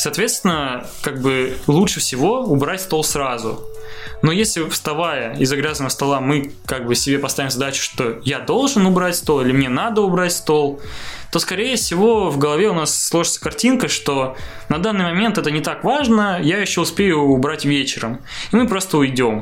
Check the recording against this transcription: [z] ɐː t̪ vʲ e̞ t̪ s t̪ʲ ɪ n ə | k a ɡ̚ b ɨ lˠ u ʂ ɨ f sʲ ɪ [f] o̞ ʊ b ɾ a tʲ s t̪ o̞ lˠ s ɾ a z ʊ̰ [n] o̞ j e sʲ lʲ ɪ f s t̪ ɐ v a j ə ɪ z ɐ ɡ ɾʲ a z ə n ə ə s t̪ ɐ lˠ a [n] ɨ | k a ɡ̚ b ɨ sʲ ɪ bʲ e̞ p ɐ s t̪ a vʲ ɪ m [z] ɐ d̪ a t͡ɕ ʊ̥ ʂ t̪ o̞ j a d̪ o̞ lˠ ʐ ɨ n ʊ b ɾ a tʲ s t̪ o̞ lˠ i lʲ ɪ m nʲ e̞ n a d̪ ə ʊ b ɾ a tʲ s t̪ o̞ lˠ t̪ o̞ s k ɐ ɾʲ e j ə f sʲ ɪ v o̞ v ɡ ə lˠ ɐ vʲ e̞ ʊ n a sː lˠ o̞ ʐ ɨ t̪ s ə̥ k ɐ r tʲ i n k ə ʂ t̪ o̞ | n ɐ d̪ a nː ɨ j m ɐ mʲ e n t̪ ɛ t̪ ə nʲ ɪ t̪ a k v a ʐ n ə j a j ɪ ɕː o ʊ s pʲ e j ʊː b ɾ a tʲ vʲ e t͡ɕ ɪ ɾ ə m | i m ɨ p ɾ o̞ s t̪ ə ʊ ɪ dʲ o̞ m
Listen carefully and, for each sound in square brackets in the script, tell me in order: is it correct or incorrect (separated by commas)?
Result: incorrect, incorrect, correct, incorrect, correct